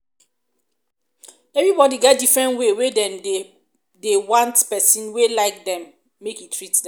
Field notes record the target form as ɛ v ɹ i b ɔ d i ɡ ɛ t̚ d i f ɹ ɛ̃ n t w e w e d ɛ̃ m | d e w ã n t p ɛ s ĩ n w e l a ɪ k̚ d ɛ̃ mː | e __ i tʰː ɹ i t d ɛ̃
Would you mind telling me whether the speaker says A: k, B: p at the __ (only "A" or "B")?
A